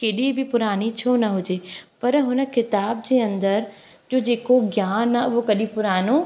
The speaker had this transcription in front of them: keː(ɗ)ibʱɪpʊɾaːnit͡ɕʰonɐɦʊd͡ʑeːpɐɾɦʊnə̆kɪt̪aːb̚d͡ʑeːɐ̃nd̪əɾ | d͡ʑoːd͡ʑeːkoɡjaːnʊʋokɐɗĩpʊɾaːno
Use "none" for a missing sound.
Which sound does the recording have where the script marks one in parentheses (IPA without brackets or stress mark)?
ɗ